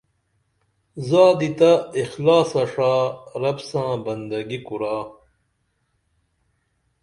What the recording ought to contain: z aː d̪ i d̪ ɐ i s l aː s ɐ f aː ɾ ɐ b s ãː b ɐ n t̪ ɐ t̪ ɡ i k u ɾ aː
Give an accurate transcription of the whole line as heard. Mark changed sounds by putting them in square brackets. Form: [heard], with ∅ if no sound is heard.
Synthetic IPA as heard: z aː d̪ i [t̪] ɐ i [x] l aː s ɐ [ʂ] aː ɾ ɐ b s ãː b ɐ n [d̪] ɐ [∅] ɡ i k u ɾ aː